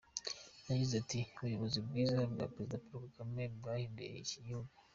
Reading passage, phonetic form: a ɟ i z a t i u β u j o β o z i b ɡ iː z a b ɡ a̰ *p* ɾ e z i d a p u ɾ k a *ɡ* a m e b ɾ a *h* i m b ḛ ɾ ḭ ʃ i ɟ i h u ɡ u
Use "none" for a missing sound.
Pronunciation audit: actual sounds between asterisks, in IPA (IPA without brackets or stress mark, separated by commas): p, k, h